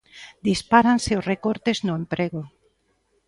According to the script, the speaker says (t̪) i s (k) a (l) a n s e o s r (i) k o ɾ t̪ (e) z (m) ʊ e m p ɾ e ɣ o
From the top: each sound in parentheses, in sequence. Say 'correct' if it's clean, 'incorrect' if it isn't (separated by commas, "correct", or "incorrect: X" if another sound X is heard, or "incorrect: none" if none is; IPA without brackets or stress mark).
incorrect: d̪, incorrect: p, incorrect: ɾ, incorrect: e, correct, incorrect: n